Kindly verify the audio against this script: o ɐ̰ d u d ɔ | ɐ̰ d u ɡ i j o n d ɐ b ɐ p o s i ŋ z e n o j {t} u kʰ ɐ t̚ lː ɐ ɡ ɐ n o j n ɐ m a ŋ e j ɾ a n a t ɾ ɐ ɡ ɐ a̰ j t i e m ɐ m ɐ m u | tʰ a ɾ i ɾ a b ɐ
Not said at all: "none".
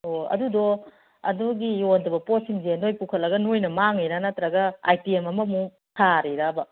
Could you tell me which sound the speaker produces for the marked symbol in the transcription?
p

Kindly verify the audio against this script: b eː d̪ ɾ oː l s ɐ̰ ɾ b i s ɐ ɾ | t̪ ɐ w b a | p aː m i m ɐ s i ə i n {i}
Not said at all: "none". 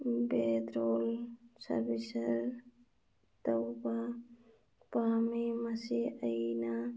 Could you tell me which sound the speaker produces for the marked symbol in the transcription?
a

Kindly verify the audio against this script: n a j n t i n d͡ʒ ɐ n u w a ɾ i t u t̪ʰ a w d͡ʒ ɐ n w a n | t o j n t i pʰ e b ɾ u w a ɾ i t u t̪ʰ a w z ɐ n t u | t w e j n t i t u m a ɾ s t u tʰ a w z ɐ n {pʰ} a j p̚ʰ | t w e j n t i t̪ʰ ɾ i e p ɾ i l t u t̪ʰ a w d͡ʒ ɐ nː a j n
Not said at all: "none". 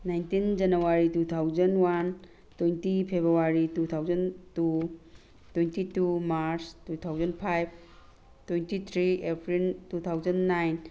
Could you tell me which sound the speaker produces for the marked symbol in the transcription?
pʰ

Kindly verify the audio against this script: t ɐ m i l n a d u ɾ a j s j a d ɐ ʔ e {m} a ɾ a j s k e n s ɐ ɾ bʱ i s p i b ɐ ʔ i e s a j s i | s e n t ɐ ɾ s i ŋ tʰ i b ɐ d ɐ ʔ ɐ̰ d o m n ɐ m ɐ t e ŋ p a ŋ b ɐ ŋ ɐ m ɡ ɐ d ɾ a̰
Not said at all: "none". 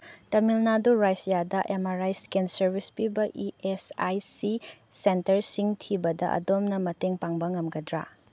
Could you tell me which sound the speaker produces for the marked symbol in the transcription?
m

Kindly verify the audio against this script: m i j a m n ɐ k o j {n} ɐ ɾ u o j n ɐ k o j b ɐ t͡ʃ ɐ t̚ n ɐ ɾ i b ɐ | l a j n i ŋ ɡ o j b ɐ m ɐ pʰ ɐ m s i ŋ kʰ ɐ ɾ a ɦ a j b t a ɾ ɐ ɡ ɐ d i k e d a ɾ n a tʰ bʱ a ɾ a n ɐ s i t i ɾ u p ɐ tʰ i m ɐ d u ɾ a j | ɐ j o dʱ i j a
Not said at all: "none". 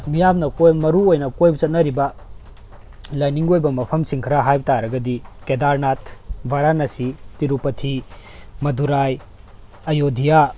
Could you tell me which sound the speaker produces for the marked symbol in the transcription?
m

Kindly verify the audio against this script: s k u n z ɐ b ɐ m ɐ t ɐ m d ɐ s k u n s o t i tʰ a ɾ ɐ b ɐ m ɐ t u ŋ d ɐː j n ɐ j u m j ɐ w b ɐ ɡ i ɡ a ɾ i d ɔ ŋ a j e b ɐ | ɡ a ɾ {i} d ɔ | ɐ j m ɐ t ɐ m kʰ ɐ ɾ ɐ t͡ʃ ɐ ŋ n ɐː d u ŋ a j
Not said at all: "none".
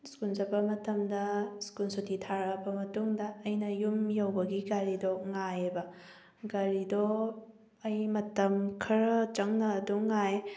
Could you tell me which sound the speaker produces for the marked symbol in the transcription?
i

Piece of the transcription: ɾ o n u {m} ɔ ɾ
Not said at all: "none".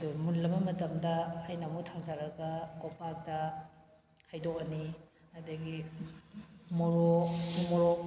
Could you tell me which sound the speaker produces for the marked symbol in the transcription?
m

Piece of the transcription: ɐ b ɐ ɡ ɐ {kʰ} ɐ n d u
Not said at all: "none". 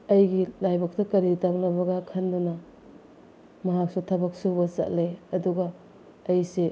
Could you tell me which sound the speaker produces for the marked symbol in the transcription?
kʰ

